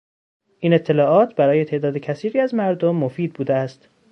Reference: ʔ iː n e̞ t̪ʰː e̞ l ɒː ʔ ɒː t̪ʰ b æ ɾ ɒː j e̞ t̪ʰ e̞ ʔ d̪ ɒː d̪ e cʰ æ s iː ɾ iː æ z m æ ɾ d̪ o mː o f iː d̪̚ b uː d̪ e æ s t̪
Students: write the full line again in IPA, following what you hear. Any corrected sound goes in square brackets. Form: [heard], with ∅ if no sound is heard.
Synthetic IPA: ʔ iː n e̞ t̪ʰː e̞ l ɒː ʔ ɒː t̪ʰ b æ ɾ ɒː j e̞ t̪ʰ e̞ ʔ d̪ ɒː d̪ e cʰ æ s iː ɾ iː æ z m æ ɾ d̪ o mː o f iː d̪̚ b uː d̪ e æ s t̪